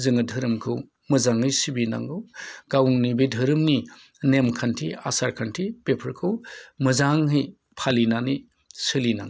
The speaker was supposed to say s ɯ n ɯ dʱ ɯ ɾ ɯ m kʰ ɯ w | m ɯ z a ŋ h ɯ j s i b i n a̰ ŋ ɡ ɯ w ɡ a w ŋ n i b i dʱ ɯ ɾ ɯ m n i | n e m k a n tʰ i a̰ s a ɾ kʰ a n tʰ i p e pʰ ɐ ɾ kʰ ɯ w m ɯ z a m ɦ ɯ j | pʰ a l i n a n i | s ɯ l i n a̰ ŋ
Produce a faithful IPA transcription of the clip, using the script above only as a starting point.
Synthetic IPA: z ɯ ŋ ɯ dʱ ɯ ɾ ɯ m kʰ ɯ w | m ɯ z a ŋ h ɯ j s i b i n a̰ ŋ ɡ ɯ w ɡ a w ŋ n i b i dʱ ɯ ɾ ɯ m n i | n e m kʰ a n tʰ i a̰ s a ɾ kʰ a n tʰ i p e pʰ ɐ ɾ kʰ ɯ w m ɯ z a ŋ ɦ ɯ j | pʰ a l i n a n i | s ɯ l i n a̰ ŋ